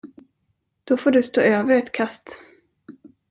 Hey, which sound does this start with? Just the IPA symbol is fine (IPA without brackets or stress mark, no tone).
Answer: d̪̥